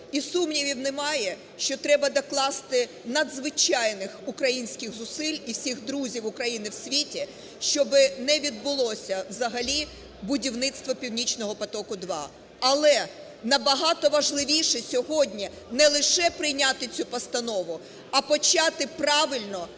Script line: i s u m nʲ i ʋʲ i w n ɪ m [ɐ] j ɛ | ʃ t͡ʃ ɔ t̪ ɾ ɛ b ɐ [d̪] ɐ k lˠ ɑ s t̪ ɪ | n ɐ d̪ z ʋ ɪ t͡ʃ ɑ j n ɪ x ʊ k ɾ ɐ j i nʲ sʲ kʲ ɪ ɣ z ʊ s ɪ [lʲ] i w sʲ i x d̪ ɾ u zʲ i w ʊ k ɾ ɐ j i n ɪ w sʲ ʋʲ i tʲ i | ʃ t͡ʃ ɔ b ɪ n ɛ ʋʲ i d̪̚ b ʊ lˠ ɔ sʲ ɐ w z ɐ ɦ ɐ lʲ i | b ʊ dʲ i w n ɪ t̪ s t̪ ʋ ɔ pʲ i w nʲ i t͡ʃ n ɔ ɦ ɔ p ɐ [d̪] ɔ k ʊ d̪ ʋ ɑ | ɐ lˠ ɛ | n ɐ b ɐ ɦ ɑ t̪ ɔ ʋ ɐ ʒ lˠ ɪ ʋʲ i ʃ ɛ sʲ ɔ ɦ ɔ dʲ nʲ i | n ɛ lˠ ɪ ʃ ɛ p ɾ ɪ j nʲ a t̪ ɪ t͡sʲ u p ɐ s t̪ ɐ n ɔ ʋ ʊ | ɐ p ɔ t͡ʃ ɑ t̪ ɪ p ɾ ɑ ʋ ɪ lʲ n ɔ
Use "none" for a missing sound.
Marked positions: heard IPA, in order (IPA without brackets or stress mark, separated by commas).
ɑ, d̪, lʲ, t̪